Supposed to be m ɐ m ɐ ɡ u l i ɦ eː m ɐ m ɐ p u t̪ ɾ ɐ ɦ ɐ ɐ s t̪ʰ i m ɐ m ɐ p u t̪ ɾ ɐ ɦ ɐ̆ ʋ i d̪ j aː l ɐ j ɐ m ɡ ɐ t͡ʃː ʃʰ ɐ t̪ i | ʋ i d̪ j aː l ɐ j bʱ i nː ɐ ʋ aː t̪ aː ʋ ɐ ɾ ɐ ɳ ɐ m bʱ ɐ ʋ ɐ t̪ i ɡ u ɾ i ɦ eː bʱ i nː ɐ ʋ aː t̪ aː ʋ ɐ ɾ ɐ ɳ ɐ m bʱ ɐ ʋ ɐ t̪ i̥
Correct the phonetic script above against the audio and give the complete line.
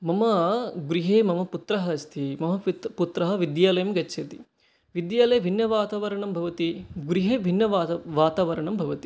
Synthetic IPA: m ɐ m ɐ ɡ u ɾ i ɦ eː m ɐ m ɐ p u t̪ ɾ ɐ ɦ ɐ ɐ s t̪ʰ i m ɐ m ɐ p u t̪ ɾ ɐ ɦ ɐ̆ ʋ i d̪ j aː l ɐ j ɐ m ɡ ɐ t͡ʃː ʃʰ ɐ t̪ i | ʋ i d̪ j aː l ɐ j bʱ i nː ɐ ʋ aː t̪ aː ʋ ɐ ɾ ɐ ɳ ɐ m bʱ ɐ ʋ ɐ t̪ i ɡ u ɾ i ɦ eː bʱ i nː ɐ ʋ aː t̪ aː ʋ ɐ ɾ ɐ ɳ ɐ m bʱ ɐ ʋ ɐ t̪ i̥

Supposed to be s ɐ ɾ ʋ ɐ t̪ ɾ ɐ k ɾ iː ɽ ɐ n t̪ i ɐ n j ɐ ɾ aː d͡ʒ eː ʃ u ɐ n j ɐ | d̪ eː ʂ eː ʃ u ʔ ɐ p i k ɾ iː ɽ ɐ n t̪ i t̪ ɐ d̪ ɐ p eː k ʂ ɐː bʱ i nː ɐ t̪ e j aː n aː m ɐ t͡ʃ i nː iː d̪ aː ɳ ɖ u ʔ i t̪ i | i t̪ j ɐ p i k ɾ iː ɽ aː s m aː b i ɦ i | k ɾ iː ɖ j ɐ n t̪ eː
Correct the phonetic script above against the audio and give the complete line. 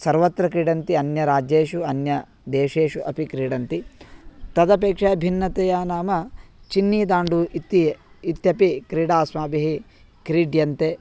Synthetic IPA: s ɐ ɾ ʋ ɐ t̪ ɾ ɐ k ɾ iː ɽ ɐ n t̪ i ɐ n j ɐ ɾ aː d͡ʒ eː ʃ u ɐ n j ɐ | d̪ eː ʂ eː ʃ u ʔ ɐ p i k ɾ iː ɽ ɐ n t̪ i t̪ ɐ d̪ ɐ p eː k ʂ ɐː bʱ i nː ɐ t̪ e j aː n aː m ɐ t͡ʃ i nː iː d̪ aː ɳ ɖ u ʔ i t̪ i | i t̪ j ɐ p i k ɾ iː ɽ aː s m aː b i ɦ i | k ɾ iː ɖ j ɐ n t̪ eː

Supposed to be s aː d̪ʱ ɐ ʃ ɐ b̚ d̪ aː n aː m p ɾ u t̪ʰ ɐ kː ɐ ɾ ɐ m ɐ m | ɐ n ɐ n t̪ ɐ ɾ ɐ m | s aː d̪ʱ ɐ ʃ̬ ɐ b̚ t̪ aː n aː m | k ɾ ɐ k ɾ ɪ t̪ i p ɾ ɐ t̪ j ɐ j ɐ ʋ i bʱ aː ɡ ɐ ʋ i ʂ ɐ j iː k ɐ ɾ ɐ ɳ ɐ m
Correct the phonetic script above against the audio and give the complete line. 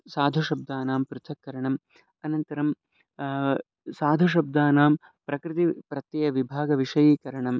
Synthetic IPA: s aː d̪ʱ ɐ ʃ ɐ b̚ d̪ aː n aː m p ɾ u t̪ʰ ɐ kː ɐ ɾ ɐ ɳ ɐ m | ɐ n ɐ n t̪ ɐ ɾ ɐ m | s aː d̪ʱ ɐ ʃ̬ ɐ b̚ d̪ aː n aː m | p ɾ ɐ k ɾ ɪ t̪ i p ɾ ɐ t̪ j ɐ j ɐ ʋ i bʱ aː ɡ ɐ ʋ i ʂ ɐ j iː k ɐ ɾ ɐ ɳ ɐ m

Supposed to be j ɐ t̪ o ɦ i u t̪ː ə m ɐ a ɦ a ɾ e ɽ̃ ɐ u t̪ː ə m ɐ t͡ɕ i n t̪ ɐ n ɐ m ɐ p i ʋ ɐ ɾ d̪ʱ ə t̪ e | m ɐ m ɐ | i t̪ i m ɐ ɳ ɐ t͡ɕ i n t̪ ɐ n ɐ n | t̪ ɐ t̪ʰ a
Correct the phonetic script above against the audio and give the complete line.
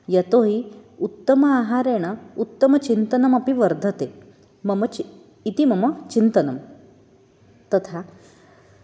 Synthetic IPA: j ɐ t̪ o ɦ i u t̪ː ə m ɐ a ɦ a ɾ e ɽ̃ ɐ u t̪ː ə m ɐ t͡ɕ i n t̪ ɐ n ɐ m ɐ p i ʋ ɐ ɾ d̪ʱ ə t̪ e | m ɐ m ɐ | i t̪ i m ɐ m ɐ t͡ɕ i n t̪ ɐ n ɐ m | t̪ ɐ t̪ʰ a

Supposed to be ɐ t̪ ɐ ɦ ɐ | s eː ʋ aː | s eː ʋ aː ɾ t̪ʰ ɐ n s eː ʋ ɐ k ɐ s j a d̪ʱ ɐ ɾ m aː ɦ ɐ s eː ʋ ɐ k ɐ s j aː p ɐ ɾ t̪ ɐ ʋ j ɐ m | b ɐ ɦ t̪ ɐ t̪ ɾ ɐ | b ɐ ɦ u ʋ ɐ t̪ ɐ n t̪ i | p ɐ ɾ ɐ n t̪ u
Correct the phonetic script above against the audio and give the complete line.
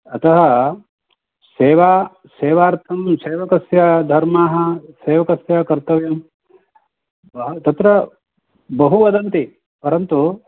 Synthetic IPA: ɐ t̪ ɐ ɦ ɐ | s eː ʋ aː | s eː ʋ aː ɾ t̪ʰ ɐ m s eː ʋ ɐ k ɐ s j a d̪ʱ ɐ ɾ m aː ɦ ɐ s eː ʋ ɐ k ɐ s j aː k ɐ ɾ t̪ ɐ ʋ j ɐ m | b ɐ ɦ t̪ ɐ t̪ ɾ ɐ | b ɐ ɦ u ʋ ɐ d̪ ɐ n t̪ i | p ɐ ɾ ɐ n t̪ u

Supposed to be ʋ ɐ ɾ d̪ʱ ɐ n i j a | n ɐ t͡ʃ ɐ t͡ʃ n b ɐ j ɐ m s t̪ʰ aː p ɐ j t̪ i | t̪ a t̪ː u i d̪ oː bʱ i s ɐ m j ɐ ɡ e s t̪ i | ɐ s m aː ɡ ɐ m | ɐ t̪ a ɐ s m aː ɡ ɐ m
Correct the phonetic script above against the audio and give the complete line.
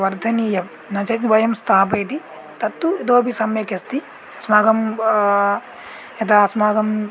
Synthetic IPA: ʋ ɐ ɾ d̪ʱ ɐ n i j ɐ | n ɐ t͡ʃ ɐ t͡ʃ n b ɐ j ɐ m s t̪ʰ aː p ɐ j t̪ i | t̪ ɐ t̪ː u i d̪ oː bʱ i s ɐ m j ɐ k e s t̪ i | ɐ s m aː ɡ ɐ m | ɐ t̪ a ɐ s m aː ɡ ɐ m

